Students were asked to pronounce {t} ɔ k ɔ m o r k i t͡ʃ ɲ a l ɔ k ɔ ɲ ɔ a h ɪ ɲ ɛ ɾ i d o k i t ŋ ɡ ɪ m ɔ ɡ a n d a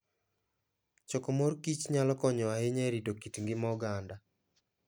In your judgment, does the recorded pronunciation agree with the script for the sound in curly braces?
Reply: no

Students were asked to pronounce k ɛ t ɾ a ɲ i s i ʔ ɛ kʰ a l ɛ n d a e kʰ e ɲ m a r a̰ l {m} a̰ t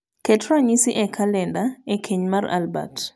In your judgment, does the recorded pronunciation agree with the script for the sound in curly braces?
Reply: no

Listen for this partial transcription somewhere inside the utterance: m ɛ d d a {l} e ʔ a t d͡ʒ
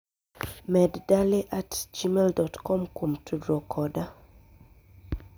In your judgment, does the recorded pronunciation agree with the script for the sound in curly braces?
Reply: yes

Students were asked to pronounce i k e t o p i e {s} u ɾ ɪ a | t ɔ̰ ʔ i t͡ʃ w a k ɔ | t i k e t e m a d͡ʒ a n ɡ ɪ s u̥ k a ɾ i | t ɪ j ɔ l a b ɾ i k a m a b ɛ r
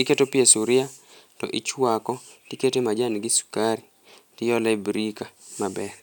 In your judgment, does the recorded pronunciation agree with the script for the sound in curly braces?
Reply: yes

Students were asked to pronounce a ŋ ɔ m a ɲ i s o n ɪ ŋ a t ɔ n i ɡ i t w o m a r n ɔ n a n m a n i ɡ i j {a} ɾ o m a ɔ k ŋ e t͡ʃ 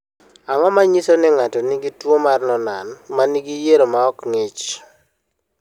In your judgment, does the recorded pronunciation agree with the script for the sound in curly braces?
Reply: no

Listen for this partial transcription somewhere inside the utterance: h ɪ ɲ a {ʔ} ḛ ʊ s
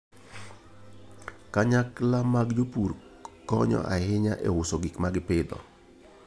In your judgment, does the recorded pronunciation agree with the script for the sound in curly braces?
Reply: yes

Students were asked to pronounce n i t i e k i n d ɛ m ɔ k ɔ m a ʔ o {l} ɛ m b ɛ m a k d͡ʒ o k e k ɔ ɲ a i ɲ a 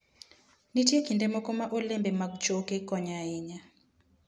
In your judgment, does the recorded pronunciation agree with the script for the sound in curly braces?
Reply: yes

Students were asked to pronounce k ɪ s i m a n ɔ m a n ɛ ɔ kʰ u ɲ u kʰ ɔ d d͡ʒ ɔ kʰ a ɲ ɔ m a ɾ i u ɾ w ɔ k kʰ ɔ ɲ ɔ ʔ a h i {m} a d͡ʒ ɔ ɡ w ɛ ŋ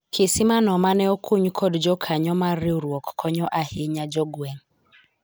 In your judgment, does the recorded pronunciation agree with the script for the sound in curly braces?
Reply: no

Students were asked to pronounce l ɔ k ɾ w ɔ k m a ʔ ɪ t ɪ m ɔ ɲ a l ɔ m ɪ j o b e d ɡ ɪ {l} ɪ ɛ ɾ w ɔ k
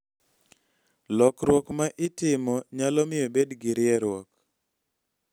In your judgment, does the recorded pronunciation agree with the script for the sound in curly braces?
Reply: no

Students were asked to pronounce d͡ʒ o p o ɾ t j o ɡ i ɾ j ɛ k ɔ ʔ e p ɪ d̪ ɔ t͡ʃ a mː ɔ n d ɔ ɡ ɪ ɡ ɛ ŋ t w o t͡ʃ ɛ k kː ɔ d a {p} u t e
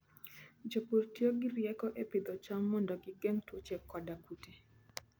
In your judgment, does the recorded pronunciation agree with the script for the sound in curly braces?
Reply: no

